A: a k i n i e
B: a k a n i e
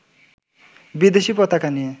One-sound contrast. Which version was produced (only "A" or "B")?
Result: B